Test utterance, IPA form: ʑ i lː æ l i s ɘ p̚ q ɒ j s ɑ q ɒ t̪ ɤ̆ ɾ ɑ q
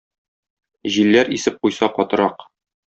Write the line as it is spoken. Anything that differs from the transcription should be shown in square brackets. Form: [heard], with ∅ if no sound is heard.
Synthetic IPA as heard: ʑ i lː æ [ɾ] i s ɘ p̚ q [u] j s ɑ q ɒ t̪ ɤ̆ ɾ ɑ q